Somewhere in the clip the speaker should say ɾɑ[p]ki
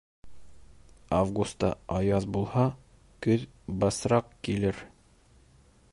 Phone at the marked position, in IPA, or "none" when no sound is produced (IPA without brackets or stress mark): q